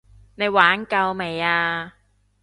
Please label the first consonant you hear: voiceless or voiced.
voiced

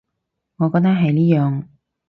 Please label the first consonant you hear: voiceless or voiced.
voiced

